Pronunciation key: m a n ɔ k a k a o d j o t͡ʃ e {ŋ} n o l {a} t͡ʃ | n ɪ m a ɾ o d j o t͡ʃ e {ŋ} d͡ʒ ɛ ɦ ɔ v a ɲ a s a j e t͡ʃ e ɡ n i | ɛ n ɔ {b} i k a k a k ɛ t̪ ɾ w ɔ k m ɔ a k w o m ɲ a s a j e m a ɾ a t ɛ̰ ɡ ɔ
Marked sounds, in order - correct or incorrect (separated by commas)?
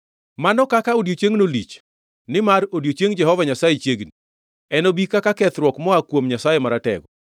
correct, incorrect, correct, correct